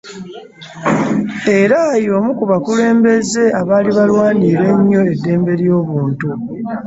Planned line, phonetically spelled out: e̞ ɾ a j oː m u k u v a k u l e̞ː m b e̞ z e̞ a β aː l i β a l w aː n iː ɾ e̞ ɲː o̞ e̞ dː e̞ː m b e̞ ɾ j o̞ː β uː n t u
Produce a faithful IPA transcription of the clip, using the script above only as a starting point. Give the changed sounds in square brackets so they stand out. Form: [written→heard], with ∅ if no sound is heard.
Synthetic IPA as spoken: e̞ ɾ a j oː m u k u [v→β] a k u l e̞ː m b e̞ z e̞ a β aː l i β a l w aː n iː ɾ e̞ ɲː o̞ e̞ dː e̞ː m b e̞ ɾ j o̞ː β uː n t u